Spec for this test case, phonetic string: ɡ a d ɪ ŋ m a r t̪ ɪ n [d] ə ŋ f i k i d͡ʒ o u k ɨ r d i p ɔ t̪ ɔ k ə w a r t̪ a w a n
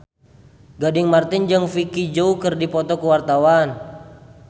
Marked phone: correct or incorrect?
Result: incorrect